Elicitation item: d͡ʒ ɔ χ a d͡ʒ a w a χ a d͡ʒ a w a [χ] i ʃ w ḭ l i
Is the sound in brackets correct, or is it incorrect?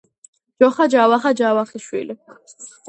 correct